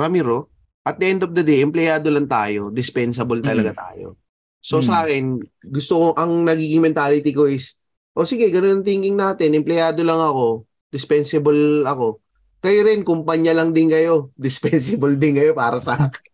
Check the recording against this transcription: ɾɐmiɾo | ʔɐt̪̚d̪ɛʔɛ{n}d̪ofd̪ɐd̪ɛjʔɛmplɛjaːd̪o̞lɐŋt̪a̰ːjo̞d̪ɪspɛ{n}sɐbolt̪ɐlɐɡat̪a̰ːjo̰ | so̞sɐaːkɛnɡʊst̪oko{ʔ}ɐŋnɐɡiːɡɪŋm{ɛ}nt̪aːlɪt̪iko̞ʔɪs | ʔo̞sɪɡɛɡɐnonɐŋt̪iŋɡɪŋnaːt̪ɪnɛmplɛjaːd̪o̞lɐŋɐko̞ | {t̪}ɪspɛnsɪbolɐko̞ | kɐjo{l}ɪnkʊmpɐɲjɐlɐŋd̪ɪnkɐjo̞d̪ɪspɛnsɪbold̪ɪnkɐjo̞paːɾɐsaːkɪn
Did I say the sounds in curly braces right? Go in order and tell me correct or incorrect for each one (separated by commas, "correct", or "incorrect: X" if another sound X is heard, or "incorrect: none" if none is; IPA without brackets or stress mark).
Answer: correct, correct, correct, correct, incorrect: d̪, incorrect: ɾ